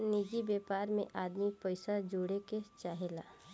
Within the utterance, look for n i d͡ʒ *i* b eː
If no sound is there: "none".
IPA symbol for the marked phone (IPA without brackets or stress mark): i